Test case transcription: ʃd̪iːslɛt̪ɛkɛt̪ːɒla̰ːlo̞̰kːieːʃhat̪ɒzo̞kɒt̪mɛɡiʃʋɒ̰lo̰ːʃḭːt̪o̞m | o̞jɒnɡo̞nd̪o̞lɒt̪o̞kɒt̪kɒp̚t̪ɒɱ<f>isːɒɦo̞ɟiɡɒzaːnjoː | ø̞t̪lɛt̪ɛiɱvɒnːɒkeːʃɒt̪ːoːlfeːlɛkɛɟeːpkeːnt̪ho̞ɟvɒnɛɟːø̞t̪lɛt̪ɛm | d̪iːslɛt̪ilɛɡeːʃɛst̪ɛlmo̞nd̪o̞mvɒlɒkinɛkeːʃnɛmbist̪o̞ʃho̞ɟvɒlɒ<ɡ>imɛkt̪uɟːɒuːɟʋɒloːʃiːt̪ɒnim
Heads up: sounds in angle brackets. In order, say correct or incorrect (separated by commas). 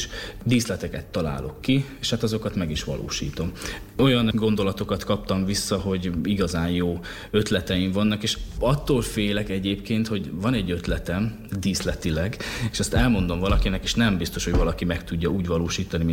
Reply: incorrect, incorrect